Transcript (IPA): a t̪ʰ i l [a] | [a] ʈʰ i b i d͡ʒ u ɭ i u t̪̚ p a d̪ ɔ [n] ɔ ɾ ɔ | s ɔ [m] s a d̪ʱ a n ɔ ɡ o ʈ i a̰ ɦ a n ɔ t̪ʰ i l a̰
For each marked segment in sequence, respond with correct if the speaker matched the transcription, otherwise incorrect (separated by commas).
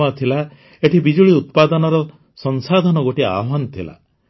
correct, incorrect, correct, incorrect